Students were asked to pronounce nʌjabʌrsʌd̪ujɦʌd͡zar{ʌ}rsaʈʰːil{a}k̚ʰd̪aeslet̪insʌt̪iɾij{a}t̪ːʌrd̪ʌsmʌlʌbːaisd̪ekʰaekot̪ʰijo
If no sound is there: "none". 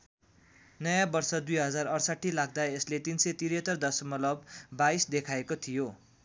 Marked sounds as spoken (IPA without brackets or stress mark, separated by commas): ʌ, a, ʌ